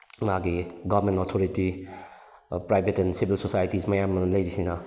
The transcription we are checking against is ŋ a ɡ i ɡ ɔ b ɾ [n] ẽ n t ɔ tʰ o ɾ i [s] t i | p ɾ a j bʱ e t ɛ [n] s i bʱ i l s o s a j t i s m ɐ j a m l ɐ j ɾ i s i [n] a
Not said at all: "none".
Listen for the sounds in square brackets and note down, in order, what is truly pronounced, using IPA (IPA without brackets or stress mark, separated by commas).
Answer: m, none, n, n